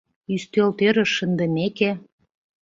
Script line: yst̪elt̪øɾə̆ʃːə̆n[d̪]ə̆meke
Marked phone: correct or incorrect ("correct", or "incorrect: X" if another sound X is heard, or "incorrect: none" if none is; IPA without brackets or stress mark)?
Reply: correct